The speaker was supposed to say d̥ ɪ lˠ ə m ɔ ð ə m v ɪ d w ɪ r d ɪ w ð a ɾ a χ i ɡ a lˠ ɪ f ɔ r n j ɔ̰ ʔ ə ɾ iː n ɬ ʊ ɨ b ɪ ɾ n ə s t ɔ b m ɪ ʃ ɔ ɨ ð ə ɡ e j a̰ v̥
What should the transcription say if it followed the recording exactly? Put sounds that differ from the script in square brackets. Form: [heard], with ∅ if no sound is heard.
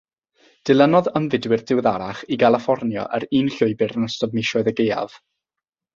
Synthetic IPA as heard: d̥ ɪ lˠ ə [n] ɔ ð ə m v ɪ d w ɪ r d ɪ w ð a ɾ a χ i ɡ a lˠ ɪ f ɔ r n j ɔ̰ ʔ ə ɾ iː n ɬ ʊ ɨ b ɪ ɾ n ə s t ɔ b m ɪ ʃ ɔ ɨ ð ə ɡ e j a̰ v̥